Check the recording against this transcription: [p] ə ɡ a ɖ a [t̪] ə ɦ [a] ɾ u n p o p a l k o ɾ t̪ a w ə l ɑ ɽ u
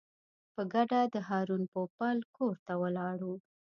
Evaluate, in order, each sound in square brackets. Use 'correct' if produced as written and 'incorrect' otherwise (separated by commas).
correct, incorrect, incorrect